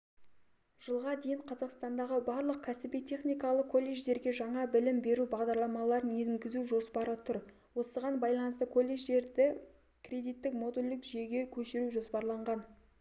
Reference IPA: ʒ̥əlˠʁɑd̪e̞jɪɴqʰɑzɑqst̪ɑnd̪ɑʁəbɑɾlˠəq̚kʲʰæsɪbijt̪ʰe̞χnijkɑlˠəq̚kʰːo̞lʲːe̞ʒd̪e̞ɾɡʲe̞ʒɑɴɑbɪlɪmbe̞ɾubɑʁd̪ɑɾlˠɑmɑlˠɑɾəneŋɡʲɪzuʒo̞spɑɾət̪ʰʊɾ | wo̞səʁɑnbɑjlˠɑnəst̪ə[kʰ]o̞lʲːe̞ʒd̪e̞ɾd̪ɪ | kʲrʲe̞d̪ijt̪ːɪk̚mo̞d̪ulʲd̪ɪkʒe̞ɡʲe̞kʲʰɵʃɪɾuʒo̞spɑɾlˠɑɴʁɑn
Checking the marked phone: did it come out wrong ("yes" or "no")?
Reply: no